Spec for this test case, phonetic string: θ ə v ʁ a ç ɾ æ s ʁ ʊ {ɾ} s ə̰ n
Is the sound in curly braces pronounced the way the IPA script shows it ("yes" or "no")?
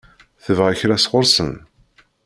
yes